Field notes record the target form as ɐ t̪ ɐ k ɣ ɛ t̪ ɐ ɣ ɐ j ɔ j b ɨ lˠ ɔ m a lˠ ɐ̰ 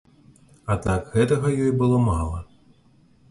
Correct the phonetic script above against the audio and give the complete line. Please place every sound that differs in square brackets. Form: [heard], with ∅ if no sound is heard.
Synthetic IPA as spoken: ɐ t̪ [a] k ɣ ɛ t̪ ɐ ɣ ɐ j ɔ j b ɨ lˠ ɔ m a lˠ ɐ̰